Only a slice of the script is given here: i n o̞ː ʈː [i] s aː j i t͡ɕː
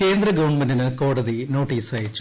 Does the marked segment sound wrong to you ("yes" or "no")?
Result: yes